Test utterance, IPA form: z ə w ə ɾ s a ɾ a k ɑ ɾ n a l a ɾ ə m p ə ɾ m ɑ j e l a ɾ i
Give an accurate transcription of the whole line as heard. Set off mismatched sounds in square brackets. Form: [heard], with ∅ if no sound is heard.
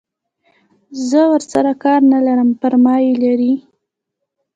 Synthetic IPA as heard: z ə w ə ɾ s a ɾ a k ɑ ɾ n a l a ɾ ə m p ə ɾ m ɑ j e l a ɾ i

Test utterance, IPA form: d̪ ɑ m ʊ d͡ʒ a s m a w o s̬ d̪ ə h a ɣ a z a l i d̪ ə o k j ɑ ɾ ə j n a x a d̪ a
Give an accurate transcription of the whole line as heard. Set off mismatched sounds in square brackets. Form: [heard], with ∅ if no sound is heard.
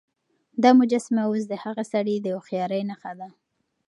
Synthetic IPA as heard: d̪ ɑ m ʊ d͡ʒ a s m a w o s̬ d̪ ə h a ɣ a [s] a [ɽ] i d̪ ə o [x] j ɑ ɾ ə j n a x a d̪ a

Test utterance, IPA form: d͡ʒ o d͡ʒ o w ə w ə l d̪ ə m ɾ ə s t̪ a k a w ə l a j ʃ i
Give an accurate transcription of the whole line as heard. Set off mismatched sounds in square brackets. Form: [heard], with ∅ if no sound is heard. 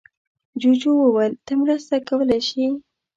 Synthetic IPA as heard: d͡ʒ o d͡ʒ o w ə w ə l [t̪] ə m ɾ ə s t̪ a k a w ə l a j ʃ i

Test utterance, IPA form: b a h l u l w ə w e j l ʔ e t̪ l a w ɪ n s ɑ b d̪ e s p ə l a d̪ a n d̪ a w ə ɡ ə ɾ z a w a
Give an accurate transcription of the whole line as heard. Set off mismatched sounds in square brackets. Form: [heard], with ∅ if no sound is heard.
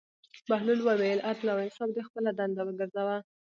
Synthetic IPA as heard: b a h l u l w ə w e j l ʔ [a] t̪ l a w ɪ n s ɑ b d̪ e [x] p ə l a d̪ a n d̪ a w ə ɡ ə ɾ z a w a

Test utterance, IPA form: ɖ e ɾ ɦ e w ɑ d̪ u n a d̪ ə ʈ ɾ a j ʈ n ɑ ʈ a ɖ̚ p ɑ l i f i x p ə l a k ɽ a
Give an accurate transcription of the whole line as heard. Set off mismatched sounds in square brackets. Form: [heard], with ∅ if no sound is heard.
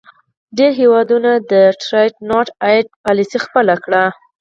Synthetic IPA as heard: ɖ e ɾ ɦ e w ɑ d̪ u n a d̪ ə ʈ ɾ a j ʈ n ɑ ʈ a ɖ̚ p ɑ l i [s] i x p ə l a k ɽ a

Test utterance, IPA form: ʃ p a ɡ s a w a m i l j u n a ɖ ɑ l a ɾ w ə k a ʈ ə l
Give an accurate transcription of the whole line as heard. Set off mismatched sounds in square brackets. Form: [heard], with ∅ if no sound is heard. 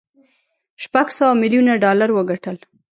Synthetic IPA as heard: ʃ p a ɡ s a w a m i l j u n a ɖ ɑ l a ɾ w ə [ɡ] a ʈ ə l

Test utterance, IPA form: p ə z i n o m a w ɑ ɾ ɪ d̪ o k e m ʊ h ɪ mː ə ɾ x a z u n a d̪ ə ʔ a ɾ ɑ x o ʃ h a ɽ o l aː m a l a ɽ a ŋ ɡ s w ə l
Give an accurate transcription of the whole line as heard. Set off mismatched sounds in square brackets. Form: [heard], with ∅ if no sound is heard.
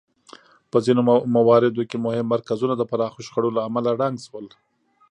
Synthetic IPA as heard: p ə z i n o m a w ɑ ɾ ɪ d̪ o k e m ʊ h ɪ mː [a] ɾ [k] a z u n a d̪ ə [p] a ɾ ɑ x o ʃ [x] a ɽ o l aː m a l a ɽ a ŋ ɡ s w ə l

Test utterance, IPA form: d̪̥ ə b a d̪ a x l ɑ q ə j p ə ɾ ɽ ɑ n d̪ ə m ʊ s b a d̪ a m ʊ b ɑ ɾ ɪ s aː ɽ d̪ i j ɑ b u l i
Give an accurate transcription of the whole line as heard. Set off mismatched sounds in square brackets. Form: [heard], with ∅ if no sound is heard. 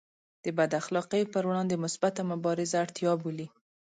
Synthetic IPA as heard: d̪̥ ə b a d̪ a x l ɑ q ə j p ə ɾ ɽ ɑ n d̪ ə m ʊ s b a [t̪] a m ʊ b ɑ ɾ ɪ [z] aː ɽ [t̪] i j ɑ b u l i

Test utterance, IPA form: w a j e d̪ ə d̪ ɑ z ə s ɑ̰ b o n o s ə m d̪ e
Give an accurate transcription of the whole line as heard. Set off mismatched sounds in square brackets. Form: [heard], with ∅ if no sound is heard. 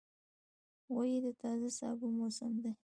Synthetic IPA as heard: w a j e d̪ ə [t̪] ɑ z [a] s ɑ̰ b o [m] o s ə m d̪ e

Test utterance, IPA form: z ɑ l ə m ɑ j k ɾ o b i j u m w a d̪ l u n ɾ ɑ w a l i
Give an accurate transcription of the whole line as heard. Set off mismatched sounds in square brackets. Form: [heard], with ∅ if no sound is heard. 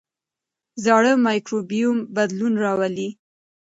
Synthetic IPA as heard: z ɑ [ɽ] ə m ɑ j k ɾ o b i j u m [b] a d̪ l u n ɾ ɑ w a l i

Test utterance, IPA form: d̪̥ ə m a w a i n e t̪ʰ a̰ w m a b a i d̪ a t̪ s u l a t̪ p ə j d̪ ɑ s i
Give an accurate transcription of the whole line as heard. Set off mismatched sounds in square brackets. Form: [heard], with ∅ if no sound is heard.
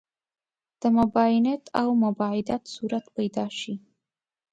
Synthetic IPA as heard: d̪̥ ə m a [b] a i n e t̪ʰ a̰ w m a b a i d̪ a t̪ s u [ɾ] a t̪ p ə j d̪ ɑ [ʃ] i

